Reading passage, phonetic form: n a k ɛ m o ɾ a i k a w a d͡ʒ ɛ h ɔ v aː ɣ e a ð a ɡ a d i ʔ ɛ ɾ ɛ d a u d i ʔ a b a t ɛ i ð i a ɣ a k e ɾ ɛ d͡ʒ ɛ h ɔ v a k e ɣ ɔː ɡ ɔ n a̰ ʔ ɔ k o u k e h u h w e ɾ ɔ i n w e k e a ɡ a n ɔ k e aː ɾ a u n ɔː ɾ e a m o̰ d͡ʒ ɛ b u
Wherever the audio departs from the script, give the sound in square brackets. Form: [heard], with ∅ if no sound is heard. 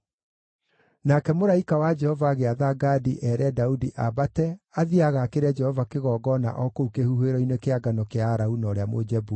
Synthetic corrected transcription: n a k ɛ m o ɾ a i k a w a d͡ʒ ɛ h ɔ v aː ɣ e a ð a ɡ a d i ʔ ɛ ɾ ɛ d a u d i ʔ a b a t ɛ [a] ð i a ɣ a k e ɾ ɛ d͡ʒ ɛ h ɔ v a k e ɣ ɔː ɡ ɔ n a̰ ʔ ɔ k o u k e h u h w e ɾ ɔ i n w e k e a ɡ a n ɔ k e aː ɾ a u n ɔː ɾ e a m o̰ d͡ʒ ɛ b u